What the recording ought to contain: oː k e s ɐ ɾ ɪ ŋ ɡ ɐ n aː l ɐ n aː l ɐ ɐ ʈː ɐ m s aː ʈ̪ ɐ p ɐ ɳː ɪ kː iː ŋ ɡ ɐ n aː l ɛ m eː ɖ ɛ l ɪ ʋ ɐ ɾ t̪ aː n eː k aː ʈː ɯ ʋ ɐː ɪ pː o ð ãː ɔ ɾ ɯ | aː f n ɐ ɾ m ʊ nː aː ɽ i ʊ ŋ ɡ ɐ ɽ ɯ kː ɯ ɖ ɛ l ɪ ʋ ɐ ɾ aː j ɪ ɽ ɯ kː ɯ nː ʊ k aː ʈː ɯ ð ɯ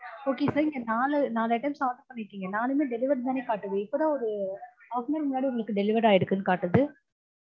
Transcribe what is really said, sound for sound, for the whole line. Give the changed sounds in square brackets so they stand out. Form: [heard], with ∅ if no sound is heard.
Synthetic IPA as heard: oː k e s ɐ ɾ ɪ ŋ ɡ ɐ n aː l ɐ n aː l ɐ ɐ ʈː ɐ m s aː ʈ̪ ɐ p ɐ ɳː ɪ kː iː ŋ ɡ ɐ n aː l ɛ m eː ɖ ɛ l ɪ ʋ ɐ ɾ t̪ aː n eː k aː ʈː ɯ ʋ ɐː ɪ pː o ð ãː ɔ ɾ ɯ | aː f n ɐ ɾ m ʊ nː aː ɽ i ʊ ŋ ɡ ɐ [ɭ] ɯ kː ɯ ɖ ɛ l ɪ ʋ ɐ ɾ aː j ɪ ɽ ɯ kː ɯ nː [ɯ] k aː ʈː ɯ ð ɯ